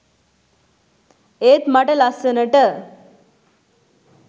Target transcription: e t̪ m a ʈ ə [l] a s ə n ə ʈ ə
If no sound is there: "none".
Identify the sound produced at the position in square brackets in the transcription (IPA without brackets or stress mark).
l